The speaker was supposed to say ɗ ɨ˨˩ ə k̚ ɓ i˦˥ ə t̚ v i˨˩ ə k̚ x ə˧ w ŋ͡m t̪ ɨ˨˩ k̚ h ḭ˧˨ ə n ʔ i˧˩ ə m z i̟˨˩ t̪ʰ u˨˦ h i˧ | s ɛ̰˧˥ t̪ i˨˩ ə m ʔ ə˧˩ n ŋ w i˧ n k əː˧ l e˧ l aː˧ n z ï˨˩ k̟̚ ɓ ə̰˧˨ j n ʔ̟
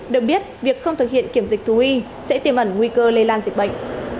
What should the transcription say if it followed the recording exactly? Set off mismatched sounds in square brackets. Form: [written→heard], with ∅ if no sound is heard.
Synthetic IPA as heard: ɗ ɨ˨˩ ə k̚ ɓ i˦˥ ə t̚ v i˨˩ ə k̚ x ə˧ w ŋ͡m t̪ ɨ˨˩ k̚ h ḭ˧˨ ə n [ʔ→k] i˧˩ ə m z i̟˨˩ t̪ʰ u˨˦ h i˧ | s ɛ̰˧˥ t̪ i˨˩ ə m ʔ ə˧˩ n ŋ w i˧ [n→∅] k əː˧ l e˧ l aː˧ n z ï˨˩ k̟̚ ɓ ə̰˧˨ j [n→ŋ] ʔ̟